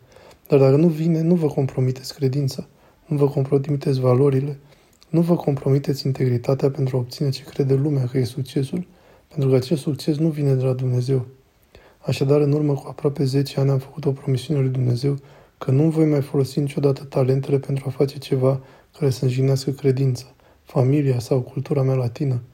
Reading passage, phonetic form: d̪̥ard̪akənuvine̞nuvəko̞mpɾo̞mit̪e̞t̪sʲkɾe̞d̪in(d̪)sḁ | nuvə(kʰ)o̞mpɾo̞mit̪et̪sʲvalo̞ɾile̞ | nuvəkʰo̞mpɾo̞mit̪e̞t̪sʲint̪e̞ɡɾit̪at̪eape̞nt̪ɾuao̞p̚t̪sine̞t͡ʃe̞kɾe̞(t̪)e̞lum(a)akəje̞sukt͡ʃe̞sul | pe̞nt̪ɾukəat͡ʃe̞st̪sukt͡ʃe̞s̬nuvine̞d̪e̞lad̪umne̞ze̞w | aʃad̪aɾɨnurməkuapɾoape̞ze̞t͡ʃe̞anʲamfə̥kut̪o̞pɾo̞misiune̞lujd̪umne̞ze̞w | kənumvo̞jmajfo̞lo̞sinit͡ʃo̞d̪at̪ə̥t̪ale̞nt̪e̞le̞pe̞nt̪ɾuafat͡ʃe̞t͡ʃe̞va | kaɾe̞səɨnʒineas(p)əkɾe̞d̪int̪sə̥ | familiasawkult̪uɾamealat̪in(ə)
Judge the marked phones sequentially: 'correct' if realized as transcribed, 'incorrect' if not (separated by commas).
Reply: incorrect, incorrect, incorrect, incorrect, incorrect, correct